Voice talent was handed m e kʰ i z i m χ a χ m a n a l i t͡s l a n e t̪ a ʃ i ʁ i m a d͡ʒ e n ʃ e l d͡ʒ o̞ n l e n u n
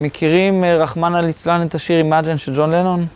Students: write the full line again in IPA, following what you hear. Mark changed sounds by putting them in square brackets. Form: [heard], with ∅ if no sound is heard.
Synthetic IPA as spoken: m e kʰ i [ʁ] i m [ʁ] a χ m a n a l i t͡s l a n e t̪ a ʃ i ʁ i m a d͡ʒ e n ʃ e l d͡ʒ o̞ n l e n [o] n